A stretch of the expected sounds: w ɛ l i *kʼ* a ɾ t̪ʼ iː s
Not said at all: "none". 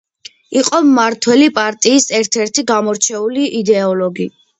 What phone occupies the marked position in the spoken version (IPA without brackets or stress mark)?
pʼ